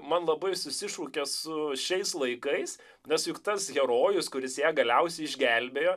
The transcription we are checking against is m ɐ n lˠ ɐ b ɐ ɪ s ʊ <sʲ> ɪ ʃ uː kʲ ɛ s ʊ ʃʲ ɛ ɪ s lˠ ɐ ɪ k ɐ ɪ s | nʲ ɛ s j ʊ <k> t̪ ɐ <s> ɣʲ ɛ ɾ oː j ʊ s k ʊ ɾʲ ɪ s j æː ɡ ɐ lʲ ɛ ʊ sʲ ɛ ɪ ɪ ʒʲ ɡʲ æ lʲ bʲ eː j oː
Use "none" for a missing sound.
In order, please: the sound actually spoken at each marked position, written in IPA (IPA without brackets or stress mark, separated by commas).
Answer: sʲ, k, s